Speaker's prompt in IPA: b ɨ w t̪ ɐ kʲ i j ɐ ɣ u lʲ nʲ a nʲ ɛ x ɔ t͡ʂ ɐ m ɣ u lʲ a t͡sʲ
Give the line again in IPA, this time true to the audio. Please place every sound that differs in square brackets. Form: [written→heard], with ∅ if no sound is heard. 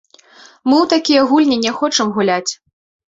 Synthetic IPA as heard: [b→m] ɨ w t̪ [ɐ→a] kʲ i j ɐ ɣ u lʲ nʲ [a→i] nʲ ɛ x ɔ t͡ʂ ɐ m ɣ u lʲ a t͡sʲ